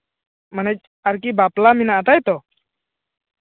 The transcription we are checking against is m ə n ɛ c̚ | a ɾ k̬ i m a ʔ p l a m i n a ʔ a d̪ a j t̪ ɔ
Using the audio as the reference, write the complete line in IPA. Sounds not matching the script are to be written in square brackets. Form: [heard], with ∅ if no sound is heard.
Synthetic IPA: m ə n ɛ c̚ | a ɾ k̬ i [b] a [∅] p l a m i n a ʔ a [t̪] a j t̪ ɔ